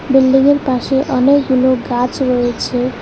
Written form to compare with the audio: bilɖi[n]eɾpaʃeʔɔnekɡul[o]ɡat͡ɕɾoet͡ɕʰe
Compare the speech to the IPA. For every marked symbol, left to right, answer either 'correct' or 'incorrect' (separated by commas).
incorrect, correct